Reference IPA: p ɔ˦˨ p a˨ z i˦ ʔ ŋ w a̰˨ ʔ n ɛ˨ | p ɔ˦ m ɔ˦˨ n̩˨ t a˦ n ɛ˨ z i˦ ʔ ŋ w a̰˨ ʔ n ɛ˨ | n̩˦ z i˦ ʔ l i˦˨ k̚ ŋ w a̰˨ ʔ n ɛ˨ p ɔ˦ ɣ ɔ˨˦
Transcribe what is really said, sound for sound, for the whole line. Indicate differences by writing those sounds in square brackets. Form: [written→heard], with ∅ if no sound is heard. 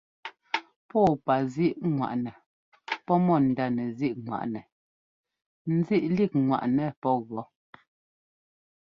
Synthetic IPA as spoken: p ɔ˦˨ p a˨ z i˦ ʔ ŋ w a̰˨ ʔ n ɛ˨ | p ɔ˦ m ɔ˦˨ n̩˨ [t→d] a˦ n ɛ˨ z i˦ ʔ ŋ w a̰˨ ʔ n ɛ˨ | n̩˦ z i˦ ʔ l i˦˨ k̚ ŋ w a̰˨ ʔ n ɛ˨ p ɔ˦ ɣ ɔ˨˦

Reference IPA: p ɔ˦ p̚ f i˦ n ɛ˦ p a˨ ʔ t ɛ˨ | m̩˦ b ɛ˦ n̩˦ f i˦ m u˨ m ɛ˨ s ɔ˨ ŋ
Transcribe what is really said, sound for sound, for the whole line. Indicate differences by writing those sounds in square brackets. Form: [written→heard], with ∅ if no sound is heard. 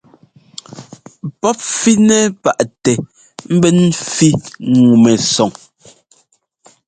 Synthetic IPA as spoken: p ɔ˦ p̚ f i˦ n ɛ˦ p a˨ ʔ t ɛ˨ | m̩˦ b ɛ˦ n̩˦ f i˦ [m→ŋ] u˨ m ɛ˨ s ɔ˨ ŋ

